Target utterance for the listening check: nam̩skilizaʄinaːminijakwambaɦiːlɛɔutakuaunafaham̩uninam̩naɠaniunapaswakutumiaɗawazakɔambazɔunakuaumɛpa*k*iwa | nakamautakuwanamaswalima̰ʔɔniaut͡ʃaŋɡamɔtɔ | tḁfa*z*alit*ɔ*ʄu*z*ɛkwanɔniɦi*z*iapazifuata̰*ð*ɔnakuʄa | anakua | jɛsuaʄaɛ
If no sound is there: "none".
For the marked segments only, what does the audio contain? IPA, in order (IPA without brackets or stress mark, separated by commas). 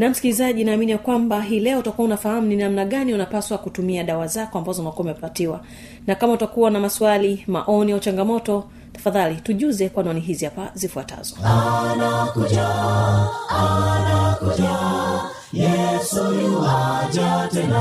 t, ð, u, z, z, z